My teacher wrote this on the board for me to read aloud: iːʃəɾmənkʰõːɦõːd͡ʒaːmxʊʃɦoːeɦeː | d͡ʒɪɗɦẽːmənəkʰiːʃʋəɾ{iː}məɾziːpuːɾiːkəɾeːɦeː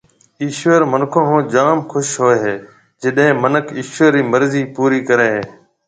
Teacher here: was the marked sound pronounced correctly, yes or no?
yes